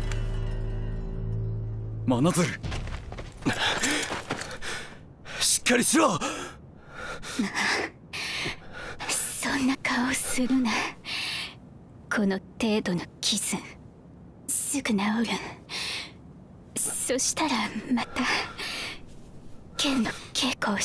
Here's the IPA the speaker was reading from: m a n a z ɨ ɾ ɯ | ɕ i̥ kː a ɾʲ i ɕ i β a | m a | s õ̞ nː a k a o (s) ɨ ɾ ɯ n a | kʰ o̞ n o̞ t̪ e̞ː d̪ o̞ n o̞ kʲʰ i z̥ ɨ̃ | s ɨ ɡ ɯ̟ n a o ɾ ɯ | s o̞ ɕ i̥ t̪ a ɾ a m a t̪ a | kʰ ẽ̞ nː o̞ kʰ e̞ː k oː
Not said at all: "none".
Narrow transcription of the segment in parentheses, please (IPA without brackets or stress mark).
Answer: s